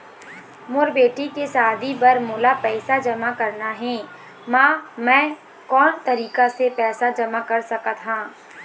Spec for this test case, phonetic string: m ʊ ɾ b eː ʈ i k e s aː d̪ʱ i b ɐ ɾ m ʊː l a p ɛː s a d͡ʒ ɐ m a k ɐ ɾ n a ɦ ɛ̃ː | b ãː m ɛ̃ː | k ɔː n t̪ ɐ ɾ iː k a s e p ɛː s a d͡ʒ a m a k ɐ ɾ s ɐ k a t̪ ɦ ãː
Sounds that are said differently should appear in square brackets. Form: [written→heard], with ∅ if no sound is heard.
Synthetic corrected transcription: m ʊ ɾ b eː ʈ i k e s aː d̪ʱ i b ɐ ɾ m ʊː l a p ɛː s a d͡ʒ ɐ m a k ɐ ɾ n a ɦ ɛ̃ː | [b→m] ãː m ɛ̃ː | k ɔː n t̪ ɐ ɾ iː k a s e p ɛː s a d͡ʒ [a→ɐ] m a k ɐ ɾ s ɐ k a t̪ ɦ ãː

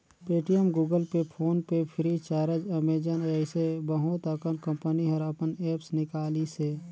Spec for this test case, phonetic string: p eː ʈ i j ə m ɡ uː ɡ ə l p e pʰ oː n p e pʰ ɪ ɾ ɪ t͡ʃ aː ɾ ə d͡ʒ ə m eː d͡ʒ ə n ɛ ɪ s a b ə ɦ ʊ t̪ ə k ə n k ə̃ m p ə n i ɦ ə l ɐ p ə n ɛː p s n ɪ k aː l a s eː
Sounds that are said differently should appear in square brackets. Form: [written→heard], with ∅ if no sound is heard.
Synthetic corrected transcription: p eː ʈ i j ə m ɡ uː ɡ ə l p e pʰ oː n p e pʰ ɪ ɾ [ɪ→i] t͡ʃ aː ɾ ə d͡ʒ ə m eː d͡ʒ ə n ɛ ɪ s [a→e] b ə ɦ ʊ t̪ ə k ə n k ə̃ m p ə n i ɦ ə [l→ɾ] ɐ p ə n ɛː p s n ɪ k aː l [a→i] s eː

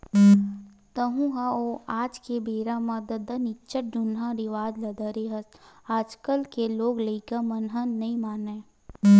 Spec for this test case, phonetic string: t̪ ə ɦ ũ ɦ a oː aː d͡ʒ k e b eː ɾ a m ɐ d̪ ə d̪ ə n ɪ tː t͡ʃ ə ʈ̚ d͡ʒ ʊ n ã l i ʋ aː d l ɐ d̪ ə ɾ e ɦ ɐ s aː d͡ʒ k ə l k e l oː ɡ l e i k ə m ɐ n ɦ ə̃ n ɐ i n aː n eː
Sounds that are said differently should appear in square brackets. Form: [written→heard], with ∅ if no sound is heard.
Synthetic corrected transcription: t̪ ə ɦ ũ ɦ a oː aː d͡ʒ k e b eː ɾ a m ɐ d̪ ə d̪ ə n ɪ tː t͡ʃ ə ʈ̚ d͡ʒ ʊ n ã [l→ɾ] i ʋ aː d l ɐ d̪ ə ɾ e ɦ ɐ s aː d͡ʒ k ə l k e l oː ɡ l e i k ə m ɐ n ɦ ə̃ n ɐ i [n→m] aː n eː

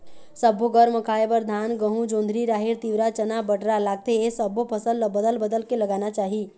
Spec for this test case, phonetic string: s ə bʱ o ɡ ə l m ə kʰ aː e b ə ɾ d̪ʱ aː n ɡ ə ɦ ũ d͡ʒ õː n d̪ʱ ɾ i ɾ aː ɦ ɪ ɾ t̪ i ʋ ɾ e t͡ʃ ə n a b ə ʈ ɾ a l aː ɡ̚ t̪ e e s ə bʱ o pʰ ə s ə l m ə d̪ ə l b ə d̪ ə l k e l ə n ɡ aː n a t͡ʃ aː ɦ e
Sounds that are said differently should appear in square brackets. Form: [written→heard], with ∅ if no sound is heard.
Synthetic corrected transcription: s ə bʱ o ɡ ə [l→ɾ] m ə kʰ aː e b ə ɾ d̪ʱ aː n ɡ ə ɦ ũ d͡ʒ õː n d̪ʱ ɾ i ɾ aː ɦ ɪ ɾ t̪ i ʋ ɾ [e→a] t͡ʃ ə n a b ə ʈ ɾ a l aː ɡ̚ t̪ e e s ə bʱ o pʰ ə s ə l [m→b] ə d̪ ə l b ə d̪ ə l k e l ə [n→∅] ɡ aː n a t͡ʃ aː ɦ [e→i]

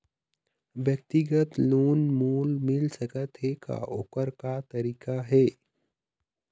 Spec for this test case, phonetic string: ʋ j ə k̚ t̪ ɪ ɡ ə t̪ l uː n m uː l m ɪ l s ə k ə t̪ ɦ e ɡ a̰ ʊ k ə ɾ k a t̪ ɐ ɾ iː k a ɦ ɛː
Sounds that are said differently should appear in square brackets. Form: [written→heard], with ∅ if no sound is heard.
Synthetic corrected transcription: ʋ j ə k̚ t̪ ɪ ɡ ə t̪ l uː n m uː l m ɪ l s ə k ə t̪ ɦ e [ɡ→k] a̰ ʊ k ə ɾ k a t̪ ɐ ɾ iː k a ɦ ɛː

